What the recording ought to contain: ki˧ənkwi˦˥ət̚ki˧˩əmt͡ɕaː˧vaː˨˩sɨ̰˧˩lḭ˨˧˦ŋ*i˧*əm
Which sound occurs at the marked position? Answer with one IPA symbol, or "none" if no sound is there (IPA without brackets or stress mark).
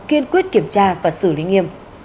i˧